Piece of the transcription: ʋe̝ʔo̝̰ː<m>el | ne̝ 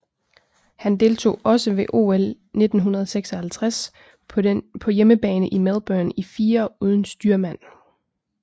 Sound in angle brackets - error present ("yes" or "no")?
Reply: yes